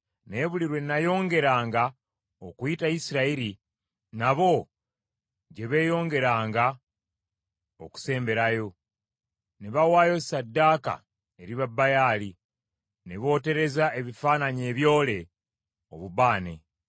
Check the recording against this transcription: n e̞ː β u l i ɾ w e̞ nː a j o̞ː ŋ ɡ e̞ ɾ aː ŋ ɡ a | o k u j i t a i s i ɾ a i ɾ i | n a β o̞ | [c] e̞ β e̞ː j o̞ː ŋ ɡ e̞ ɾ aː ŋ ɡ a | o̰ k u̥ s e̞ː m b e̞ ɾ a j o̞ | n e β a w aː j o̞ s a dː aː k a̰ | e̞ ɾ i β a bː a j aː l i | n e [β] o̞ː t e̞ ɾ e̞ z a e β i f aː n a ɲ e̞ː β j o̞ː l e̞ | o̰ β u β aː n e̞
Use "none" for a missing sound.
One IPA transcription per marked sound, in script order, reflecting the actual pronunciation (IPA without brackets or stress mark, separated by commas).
ɟ, β